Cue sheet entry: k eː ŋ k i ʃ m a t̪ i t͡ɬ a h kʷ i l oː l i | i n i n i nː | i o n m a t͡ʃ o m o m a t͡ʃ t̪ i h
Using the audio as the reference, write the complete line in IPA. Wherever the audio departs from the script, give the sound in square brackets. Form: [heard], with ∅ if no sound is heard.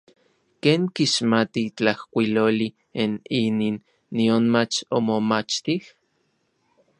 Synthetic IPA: k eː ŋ k i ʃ m a t̪ i t͡ɬ a h kʷ i l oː l i | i n i n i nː | i o n m a t͡ʃ o m o m a t͡ʃ t̪ i h